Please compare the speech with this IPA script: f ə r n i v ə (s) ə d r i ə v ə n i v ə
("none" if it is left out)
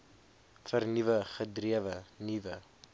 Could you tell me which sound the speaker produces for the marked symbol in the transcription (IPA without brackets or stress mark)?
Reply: χ